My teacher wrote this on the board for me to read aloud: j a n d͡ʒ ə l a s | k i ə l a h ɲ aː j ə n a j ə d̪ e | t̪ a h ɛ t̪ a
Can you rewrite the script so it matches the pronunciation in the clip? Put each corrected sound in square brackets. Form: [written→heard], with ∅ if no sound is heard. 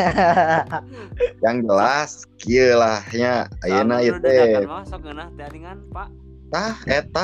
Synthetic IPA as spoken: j a [n→ŋ] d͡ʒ ə l a s | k i ə l a h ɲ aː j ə n a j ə [d̪→t̪] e | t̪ a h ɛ t̪ a